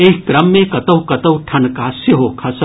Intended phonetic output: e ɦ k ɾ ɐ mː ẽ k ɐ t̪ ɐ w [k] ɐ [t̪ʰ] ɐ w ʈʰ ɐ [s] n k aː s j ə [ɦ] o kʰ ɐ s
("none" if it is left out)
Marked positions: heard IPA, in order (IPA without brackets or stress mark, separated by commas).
k, t̪, none, ɦ